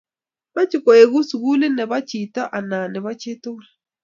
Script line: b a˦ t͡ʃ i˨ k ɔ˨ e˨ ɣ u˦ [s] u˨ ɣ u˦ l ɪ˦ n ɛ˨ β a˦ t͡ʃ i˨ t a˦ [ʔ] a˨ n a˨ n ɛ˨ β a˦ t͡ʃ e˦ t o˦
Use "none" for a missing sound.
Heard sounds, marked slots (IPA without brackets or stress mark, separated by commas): s, ʔ